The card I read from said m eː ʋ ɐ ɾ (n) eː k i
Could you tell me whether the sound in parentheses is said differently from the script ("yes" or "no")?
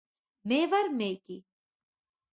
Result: yes